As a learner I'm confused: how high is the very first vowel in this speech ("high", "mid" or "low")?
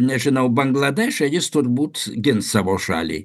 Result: mid